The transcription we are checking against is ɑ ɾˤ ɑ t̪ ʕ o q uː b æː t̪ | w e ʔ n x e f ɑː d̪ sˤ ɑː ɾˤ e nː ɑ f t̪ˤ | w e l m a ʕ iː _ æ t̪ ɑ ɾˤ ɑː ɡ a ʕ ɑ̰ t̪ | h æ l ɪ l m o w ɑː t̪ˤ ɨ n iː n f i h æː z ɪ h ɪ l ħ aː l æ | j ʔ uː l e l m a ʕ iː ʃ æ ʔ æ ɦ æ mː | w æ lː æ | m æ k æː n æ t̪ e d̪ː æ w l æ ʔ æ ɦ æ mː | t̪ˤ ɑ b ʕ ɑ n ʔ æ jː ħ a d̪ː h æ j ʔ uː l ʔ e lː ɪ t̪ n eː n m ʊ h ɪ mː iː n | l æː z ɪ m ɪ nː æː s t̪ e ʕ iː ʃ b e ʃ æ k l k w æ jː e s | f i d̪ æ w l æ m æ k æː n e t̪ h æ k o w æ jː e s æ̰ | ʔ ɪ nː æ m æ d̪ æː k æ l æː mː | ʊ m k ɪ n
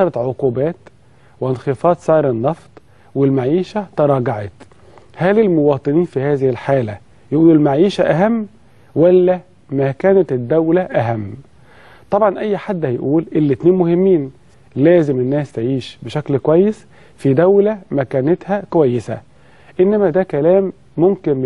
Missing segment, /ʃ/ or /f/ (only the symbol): ʃ